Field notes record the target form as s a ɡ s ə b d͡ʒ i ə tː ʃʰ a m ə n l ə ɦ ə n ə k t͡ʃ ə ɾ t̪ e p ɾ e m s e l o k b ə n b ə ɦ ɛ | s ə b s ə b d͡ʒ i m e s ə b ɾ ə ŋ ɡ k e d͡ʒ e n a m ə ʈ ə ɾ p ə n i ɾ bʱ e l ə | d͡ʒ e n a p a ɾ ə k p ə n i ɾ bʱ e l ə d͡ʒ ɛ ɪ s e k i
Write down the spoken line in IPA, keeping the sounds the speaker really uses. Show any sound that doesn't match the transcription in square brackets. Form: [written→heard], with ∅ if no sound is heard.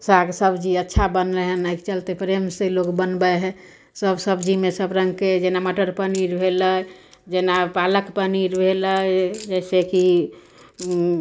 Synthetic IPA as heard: s a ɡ s ə b d͡ʒ i ə tː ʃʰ a [m→b] ə n l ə ɦ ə n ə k t͡ʃ ə [ɾ→l] t̪ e p ɾ e m s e l o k b ə n b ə ɦ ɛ | s ə b s ə b d͡ʒ i m e s ə b ɾ ə ŋ ɡ k e d͡ʒ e n a m ə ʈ ə ɾ p ə n i ɾ bʱ e l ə | d͡ʒ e n a p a [ɾ→l] ə k p ə n i ɾ bʱ e l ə d͡ʒ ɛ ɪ s e k i